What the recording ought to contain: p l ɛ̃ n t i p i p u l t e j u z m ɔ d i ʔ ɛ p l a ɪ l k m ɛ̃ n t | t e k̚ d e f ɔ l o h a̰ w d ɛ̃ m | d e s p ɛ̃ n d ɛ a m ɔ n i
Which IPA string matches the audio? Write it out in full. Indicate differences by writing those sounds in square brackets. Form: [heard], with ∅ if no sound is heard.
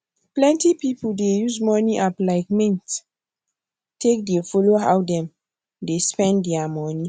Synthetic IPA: p l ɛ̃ n t i p i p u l [d] e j u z m ɔ [n] i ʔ [a] p l a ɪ [∅] k m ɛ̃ n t | t e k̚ d e f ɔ l o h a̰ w d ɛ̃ m | d e s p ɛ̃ n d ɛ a m ɔ n i